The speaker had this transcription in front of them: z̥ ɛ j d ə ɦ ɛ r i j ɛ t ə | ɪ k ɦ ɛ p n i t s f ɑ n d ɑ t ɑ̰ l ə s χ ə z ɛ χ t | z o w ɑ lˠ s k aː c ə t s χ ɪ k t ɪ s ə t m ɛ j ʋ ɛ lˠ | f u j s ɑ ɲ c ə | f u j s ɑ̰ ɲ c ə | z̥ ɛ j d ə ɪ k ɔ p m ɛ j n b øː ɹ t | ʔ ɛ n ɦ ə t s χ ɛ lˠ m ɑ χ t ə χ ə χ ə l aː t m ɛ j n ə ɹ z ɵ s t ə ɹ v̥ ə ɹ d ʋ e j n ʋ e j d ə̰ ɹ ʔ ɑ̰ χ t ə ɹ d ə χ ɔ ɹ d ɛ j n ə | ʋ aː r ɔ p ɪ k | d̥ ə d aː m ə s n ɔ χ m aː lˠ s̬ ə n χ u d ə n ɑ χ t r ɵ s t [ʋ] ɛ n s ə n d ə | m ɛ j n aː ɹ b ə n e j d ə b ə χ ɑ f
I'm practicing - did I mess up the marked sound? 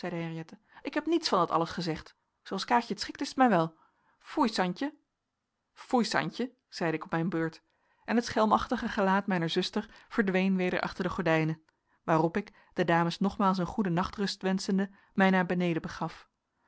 no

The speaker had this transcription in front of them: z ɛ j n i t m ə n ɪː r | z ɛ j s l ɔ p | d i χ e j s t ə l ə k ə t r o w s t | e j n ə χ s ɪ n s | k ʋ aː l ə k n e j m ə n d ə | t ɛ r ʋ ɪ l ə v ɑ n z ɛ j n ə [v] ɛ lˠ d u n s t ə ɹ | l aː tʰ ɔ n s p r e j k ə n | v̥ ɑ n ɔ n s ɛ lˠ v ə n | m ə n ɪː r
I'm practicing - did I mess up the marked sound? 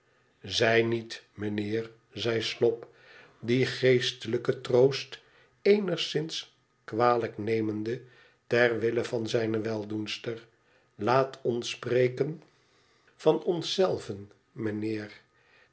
yes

